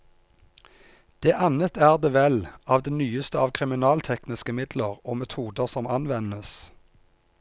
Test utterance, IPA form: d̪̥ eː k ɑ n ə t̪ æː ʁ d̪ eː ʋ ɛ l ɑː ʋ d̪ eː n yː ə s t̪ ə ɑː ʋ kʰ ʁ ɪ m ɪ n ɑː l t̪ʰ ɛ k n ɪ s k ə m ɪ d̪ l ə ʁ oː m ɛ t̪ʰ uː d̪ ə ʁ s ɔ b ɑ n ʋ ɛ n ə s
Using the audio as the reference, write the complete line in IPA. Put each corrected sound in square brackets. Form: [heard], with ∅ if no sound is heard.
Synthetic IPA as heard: d̪̥ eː [ʔ] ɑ n ə t̪ æː ʁ d̪ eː ʋ ɛ l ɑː ʋ d̪ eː n yː ə s t̪ ə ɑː ʋ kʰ ʁ ɪ m ɪ n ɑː l t̪ʰ ɛ k n ɪ s k ə m ɪ d̪ l ə ʁ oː m ɛ t̪ʰ uː d̪ ə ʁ s ɔ [m] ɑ n ʋ ɛ n ə s